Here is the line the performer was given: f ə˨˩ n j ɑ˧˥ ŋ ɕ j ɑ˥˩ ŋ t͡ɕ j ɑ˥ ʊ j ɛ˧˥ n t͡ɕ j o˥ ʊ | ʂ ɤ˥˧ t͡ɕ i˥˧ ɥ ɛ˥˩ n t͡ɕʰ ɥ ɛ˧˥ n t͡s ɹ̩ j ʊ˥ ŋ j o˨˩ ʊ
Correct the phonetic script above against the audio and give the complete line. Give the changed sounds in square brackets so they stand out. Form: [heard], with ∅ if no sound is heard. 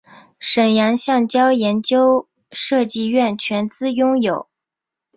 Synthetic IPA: [ʂ] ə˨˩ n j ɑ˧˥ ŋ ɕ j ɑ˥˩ ŋ t͡ɕ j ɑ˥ ʊ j ɛ˧˥ n t͡ɕ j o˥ ʊ | ʂ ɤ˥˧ t͡ɕ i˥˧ ɥ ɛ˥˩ n t͡ɕʰ ɥ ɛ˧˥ n t͡s ɹ̩ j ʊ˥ ŋ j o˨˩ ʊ